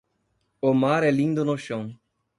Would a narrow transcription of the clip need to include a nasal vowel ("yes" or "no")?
yes